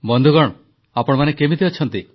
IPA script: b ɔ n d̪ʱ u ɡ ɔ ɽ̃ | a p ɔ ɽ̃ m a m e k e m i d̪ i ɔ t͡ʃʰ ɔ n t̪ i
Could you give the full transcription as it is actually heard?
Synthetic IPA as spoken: b ɔ n d̪ʱ u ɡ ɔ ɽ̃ | a p ɔ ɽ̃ m a n e k e m i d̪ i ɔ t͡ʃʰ ɔ n t̪ i